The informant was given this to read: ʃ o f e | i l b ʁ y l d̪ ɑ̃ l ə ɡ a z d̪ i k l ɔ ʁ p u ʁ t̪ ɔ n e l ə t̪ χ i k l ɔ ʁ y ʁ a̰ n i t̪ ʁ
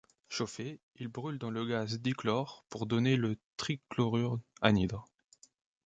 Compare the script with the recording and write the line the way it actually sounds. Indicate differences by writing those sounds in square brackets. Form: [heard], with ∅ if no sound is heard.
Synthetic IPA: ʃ o f e | i l b ʁ y l d̪ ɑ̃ l ə ɡ a z d̪ i k l ɔ ʁ p u ʁ [d̪] ɔ n e l ə t̪ χ i k l ɔ ʁ y ʁ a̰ n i [d̪] ʁ